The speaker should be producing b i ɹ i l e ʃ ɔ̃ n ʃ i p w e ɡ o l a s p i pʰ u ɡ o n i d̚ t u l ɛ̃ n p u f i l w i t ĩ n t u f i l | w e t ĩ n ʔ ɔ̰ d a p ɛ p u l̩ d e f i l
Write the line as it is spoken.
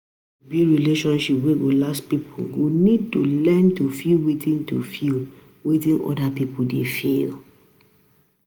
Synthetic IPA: b i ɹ i l e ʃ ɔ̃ n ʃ i p w e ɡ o l a s p i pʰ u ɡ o n i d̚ t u l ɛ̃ n t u f i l w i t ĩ n t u f i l | w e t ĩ n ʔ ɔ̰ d a p i p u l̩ d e f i l